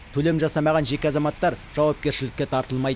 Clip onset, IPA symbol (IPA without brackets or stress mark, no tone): t̪ʰ